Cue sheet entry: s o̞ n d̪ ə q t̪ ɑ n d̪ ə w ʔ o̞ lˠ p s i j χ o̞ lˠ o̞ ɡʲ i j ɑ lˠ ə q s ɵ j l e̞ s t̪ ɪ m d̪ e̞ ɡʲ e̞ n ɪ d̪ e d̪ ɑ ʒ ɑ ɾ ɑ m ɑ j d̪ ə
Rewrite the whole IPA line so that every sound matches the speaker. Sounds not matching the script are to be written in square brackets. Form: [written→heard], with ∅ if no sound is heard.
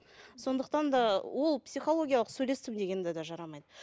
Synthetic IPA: s o̞ n d̪ ə q t̪ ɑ n d̪ [ə→ɑ] w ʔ o̞ lˠ p s i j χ o̞ lˠ o̞ ɡʲ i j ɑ lˠ ə q s ɵ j l e̞ s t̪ ɪ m d̪ e̞ ɡʲ e̞ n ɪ d̪ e d̪ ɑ ʒ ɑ ɾ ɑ m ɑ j d̪ ə